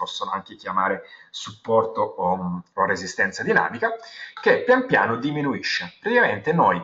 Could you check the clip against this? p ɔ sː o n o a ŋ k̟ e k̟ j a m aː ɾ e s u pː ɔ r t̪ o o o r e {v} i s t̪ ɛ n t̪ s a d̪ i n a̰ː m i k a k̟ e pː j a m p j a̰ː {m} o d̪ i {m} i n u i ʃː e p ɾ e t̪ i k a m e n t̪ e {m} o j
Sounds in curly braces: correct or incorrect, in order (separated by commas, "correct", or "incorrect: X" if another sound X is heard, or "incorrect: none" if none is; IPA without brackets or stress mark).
incorrect: z, incorrect: n, correct, incorrect: n